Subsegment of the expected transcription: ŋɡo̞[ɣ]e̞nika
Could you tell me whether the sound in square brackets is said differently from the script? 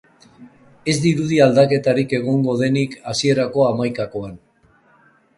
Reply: yes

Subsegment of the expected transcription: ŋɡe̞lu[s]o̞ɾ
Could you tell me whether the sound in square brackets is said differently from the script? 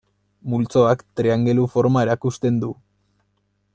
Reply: yes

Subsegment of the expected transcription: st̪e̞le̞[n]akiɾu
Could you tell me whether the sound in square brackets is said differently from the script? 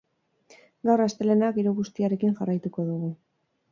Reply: no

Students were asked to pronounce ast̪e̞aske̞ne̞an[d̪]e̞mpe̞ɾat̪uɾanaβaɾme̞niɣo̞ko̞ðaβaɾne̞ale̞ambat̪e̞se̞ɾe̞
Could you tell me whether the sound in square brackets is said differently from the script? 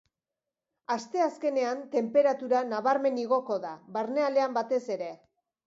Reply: yes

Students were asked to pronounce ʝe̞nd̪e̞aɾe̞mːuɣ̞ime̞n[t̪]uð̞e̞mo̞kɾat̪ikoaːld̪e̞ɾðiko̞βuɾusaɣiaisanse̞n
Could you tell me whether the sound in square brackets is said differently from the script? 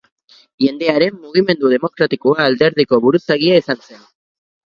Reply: yes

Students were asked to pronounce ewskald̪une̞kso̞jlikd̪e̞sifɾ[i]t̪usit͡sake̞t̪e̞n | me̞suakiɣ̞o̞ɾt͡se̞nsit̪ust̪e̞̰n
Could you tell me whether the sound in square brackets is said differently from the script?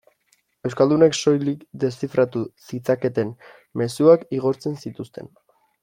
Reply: yes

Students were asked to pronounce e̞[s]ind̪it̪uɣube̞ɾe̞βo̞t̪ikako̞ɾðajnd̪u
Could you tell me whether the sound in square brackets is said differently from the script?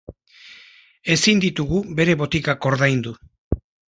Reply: no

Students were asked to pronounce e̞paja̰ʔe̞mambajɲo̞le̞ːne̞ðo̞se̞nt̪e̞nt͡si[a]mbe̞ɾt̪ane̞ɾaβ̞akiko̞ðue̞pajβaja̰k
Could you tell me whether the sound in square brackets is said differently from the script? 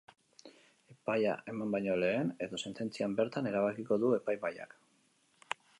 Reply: no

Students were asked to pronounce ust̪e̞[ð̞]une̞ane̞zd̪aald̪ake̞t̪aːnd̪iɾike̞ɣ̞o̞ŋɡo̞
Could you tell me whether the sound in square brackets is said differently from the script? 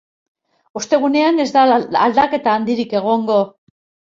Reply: yes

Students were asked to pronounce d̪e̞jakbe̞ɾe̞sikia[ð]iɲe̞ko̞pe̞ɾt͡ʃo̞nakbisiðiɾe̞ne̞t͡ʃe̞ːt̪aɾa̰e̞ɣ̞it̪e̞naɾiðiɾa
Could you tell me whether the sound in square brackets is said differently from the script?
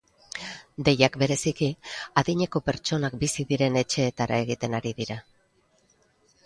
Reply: no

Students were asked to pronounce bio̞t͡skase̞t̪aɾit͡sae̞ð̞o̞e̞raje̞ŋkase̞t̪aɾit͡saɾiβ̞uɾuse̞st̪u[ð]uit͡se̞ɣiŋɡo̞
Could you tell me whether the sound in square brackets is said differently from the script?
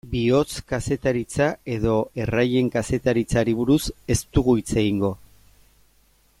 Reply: yes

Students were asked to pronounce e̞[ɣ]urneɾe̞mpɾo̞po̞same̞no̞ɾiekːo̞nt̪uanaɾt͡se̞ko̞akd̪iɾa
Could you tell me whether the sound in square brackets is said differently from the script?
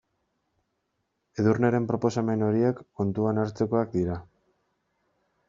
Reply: yes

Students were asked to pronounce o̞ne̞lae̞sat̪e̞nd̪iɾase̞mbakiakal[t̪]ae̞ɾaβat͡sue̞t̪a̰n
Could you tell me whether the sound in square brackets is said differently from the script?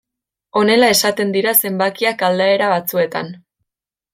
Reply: yes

